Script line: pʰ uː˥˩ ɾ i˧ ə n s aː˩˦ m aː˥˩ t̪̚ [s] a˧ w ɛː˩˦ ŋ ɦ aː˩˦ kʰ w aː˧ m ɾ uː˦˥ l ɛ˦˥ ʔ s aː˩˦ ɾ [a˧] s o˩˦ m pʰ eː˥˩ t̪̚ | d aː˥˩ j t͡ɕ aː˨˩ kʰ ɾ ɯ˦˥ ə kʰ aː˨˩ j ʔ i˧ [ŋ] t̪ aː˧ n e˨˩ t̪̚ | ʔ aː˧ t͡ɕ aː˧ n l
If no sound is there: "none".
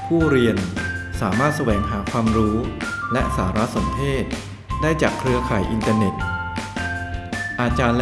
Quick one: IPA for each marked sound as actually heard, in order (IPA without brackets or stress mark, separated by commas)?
s, a˦˥, n